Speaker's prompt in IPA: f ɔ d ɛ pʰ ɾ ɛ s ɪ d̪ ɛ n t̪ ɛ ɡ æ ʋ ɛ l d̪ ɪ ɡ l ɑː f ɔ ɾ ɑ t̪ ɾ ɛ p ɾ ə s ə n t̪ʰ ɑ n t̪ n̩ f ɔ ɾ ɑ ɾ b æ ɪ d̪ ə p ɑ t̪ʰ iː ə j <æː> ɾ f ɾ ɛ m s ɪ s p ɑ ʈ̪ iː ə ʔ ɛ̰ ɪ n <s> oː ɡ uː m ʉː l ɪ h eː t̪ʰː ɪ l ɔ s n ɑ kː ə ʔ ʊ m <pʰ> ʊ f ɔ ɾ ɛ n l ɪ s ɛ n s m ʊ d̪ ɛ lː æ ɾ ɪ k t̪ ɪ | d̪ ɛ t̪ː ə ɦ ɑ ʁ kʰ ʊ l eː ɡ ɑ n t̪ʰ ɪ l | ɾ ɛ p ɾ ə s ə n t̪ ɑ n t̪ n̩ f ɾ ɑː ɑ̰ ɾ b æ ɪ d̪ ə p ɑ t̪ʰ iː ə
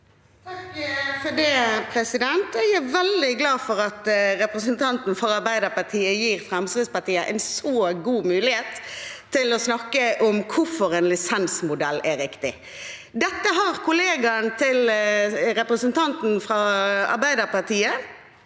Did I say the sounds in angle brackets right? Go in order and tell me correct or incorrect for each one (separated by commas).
incorrect, correct, incorrect